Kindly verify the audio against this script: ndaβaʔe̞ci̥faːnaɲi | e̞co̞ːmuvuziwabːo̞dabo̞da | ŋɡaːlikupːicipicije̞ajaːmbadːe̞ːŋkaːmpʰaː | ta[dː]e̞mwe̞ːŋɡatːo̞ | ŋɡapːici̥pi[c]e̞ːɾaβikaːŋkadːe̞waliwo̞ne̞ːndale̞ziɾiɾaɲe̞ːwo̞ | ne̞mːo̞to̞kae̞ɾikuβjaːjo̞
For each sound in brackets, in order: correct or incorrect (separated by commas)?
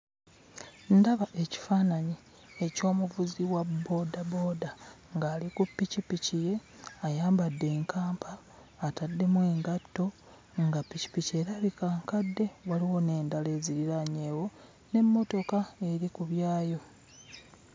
correct, correct